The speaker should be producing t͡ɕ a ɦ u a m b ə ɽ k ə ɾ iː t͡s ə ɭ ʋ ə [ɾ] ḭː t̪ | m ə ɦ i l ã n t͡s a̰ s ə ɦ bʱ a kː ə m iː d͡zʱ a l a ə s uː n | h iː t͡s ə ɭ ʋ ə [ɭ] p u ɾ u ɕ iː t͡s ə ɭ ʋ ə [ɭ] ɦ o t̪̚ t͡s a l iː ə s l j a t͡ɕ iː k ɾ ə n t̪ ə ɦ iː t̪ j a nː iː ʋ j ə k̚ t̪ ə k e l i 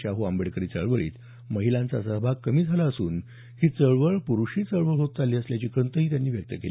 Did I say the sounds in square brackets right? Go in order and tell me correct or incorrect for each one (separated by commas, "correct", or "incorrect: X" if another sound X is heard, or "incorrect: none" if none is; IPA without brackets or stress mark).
incorrect: ɭ, correct, correct